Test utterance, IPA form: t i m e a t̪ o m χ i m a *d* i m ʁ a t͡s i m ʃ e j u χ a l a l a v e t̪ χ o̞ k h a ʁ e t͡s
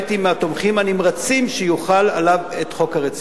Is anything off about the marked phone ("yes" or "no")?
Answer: yes